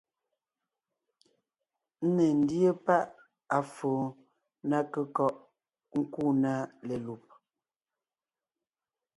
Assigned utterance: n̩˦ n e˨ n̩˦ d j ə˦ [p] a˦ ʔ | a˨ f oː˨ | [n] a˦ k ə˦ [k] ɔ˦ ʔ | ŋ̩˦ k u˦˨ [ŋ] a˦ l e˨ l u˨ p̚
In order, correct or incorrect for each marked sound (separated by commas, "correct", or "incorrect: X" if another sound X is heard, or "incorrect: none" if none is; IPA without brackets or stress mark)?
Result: correct, correct, correct, incorrect: n